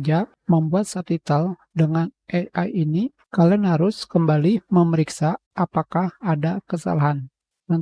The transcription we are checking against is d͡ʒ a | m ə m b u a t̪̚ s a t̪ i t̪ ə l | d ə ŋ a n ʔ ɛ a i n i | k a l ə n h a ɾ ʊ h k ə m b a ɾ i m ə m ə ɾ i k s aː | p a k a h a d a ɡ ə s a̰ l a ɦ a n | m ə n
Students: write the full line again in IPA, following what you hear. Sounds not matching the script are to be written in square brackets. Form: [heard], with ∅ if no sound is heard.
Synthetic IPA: d͡ʒ a | m ə m b u a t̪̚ s a t̪ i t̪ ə l | d ə ŋ a n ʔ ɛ a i n i | k a l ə n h a ɾ ʊ [s] k ə m b a [l] i m ə m ə ɾ i k s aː | p a k a h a d a [k] ə s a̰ l a ɦ a n | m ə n